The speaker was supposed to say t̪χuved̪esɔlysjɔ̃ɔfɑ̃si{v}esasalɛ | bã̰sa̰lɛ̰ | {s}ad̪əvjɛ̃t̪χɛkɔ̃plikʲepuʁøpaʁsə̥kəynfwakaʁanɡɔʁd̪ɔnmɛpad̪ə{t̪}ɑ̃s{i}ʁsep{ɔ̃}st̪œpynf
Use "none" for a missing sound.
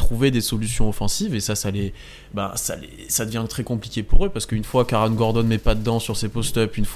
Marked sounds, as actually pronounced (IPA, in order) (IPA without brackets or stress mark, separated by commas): v, s, d̪, y, ɔ